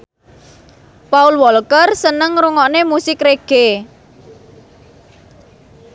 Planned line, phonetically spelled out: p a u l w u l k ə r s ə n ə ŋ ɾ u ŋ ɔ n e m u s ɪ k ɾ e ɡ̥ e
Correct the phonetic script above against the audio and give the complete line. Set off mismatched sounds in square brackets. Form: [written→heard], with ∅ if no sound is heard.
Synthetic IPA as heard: p a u l w [u→ɔ] l k ə r s ə n ə ŋ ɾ u ŋ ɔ n e m u s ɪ k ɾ e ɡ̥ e

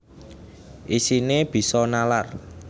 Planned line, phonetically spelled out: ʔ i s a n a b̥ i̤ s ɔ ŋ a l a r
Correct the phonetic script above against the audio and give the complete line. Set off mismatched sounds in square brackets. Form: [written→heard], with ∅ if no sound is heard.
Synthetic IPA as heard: ʔ i s [a→i] n [a→e] b̥ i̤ s ɔ [ŋ→n] a l a r

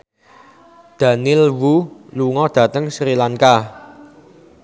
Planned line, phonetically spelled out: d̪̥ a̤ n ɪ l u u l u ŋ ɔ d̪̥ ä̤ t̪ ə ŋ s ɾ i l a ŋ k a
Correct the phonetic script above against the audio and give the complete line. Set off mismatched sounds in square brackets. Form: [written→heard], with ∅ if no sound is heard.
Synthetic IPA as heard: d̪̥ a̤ n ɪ l [u→w] u l u ŋ ɔ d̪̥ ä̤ t̪ ə ŋ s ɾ i l a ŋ k a

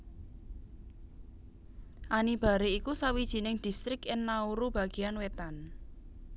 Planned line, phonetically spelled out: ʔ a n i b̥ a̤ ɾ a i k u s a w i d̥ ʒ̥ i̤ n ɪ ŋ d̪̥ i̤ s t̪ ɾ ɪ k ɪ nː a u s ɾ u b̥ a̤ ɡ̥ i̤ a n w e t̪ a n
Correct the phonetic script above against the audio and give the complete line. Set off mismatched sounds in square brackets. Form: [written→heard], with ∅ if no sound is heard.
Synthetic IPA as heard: ʔ a n i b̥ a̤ ɾ [a→e] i k u s a w i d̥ ʒ̥ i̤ n ɪ ŋ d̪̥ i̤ s t̪ ɾ ɪ k ɪ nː a u [s→∅] ɾ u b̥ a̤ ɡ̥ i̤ a n w e t̪ a n

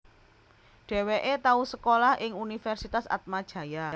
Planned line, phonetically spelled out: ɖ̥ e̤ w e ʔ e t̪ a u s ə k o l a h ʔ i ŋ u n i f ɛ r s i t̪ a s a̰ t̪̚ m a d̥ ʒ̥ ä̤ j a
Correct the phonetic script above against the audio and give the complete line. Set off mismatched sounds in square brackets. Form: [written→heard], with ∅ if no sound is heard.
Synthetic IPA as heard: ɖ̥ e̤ w e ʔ e t̪ a u s ə k o l a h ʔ [i→ɪ] ŋ u n i f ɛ r s i t̪ a s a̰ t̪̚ m a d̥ ʒ̥ ä̤ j a

